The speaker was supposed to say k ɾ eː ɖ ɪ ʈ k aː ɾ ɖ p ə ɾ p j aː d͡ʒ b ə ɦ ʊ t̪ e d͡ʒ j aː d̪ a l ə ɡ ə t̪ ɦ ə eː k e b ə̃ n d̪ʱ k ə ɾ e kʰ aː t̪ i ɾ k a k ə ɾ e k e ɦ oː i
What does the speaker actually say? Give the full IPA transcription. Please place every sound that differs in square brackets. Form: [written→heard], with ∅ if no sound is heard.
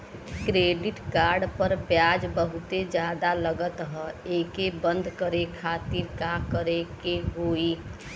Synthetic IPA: k ɾ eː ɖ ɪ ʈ k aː ɾ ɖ p ə ɾ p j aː d͡ʒ b ə ɦ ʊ t̪ e d͡ʒ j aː d̪ a l ə ɡ ə t̪ ɦ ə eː k e b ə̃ n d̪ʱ k ə ɾ e kʰ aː t̪ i ɾ k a k ə ɾ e k e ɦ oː i